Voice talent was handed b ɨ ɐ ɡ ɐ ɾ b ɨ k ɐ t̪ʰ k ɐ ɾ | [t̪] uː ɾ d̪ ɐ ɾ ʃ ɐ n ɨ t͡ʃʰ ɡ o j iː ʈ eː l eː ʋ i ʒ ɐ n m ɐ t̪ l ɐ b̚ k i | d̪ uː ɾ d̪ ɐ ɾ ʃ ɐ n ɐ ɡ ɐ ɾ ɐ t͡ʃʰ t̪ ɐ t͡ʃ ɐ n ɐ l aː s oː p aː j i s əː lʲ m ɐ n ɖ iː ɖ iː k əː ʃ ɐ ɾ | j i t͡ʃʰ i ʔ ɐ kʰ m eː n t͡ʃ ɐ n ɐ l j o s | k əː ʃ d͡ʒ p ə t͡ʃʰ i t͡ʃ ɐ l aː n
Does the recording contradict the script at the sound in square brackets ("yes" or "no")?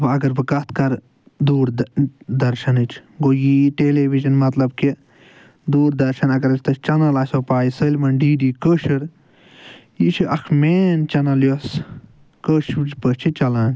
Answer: yes